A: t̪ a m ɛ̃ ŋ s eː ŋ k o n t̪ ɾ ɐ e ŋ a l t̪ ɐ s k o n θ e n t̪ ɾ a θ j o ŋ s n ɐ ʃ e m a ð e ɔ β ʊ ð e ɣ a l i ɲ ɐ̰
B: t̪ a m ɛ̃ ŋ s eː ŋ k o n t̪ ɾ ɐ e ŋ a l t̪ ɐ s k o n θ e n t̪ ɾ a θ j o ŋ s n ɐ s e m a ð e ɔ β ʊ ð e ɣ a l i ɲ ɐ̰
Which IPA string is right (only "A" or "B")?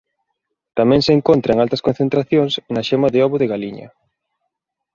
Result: A